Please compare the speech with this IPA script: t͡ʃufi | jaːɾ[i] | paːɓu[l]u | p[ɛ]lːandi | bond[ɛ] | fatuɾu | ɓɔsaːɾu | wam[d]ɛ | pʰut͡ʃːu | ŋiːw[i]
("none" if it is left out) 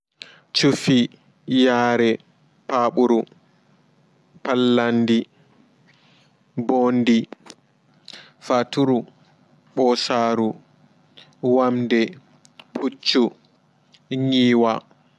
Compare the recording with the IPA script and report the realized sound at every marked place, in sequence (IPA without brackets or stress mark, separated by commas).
ɛ, ɾ, a, i, d, a